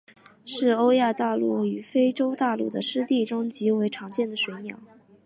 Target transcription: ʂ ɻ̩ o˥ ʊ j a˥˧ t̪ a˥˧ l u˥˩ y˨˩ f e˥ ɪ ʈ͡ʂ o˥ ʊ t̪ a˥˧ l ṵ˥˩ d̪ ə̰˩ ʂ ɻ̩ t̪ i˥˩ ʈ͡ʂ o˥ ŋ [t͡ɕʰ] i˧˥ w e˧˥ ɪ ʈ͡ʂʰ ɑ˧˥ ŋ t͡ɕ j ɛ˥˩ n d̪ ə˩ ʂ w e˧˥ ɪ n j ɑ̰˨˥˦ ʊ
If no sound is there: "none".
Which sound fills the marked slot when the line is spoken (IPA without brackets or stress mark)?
t͡ɕ